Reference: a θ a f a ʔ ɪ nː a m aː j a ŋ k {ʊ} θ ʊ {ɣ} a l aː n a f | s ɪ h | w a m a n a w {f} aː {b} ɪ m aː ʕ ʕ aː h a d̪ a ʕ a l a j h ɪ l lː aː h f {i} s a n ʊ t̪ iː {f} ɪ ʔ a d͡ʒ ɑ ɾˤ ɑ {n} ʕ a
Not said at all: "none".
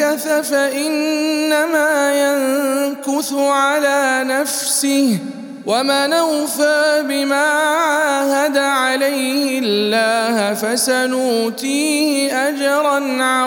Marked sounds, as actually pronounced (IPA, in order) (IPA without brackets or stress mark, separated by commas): ʊ, ʕ, f, b, a, h, n